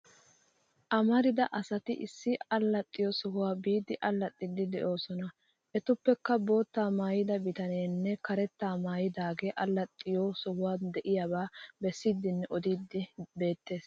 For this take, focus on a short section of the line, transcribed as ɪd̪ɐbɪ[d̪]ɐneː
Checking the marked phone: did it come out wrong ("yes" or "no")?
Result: yes